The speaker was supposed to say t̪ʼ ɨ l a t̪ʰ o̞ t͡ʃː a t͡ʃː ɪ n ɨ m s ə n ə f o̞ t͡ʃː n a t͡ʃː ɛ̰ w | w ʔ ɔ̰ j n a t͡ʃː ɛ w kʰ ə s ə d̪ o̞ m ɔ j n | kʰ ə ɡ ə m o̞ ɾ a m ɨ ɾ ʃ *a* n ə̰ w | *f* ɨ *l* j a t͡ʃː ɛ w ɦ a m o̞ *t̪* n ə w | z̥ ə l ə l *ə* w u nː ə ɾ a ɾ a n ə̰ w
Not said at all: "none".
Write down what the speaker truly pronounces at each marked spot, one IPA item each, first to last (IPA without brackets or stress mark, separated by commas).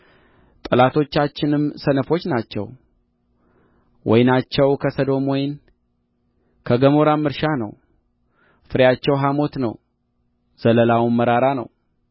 a, f, ɾ, t̪, a